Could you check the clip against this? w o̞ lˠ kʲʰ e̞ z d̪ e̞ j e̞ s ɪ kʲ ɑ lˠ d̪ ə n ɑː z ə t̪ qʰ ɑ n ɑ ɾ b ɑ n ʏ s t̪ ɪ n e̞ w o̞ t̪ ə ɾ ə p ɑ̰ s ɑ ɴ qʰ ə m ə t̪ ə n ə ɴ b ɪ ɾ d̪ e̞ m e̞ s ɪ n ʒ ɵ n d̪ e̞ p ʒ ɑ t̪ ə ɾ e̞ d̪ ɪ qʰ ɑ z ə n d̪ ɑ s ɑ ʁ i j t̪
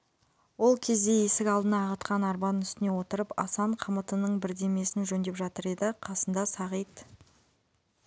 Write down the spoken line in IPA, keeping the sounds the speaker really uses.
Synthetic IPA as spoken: w o̞ lˠ kʲʰ e̞ z d̪ e̞ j e̞ s ɪ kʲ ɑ lˠ d̪ ə n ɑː ʁ ə t̪ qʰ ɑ n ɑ ɾ b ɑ n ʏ s t̪ ɪ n e̞ w o̞ t̪ ə ɾ ə p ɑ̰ s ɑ ɴ qʰ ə m ə t̪ ə n ə ɴ b ɪ ɾ d̪ e̞ m e̞ s ɪ n ʒ ɵ n d̪ e̞ p ʒ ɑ t̪ ə ɾ e̞ d̪ ɪ qʰ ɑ s ə n d̪ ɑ s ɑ ʁ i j t̪